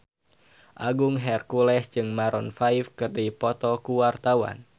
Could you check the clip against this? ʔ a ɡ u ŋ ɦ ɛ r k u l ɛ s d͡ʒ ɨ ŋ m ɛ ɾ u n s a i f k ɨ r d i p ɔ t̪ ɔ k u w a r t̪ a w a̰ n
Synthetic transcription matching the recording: ʔ a ɡ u ŋ ɦ ɛ r k u l ɛ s d͡ʒ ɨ ŋ m a ɾ ɔ n f a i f k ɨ r d i p ɔ t̪ ɔ k u w a r t̪ a w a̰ n